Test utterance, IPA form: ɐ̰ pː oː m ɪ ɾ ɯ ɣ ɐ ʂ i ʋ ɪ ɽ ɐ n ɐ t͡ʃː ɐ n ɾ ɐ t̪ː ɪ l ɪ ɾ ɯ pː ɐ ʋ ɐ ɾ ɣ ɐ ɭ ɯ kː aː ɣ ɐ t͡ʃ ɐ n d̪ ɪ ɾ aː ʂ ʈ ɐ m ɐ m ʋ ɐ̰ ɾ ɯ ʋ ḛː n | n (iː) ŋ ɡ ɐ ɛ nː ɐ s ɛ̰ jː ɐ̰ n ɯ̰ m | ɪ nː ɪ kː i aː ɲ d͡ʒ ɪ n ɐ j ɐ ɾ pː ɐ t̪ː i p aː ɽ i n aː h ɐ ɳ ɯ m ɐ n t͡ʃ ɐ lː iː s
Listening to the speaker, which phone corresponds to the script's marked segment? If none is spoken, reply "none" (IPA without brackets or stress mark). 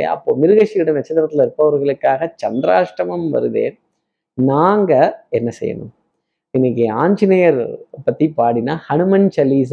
aː